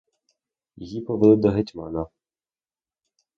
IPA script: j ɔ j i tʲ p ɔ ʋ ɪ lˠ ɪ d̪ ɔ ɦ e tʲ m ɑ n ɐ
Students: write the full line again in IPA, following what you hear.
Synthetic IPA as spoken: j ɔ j i p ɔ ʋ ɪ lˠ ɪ d̪ ɔ ɦ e tʲ m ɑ n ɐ